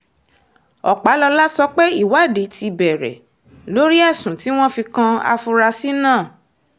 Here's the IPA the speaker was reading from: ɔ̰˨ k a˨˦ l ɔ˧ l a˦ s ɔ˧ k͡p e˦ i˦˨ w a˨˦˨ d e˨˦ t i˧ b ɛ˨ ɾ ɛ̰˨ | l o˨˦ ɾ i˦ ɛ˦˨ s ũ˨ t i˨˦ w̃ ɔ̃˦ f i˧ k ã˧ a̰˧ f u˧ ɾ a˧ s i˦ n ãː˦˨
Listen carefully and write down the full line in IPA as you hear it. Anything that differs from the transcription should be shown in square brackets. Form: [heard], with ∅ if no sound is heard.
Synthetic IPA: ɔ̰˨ [k͡p] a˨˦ l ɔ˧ l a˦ s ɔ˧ k͡p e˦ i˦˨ w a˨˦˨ d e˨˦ t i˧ b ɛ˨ ɾ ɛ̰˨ | l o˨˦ ɾ i˦ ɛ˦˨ s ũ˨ t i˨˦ w̃ ɔ̃˦ f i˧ k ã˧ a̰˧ f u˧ ɾ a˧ s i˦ n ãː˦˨